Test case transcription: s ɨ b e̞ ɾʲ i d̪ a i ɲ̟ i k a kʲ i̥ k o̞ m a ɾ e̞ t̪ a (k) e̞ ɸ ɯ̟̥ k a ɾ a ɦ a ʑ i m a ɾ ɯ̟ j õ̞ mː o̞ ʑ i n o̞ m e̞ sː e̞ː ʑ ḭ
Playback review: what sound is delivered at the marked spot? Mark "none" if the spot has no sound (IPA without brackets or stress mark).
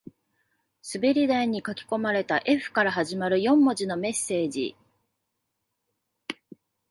ʔ